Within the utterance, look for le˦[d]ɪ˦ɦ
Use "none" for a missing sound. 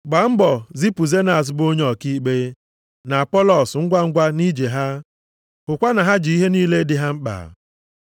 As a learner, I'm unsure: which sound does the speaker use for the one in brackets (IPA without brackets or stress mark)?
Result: d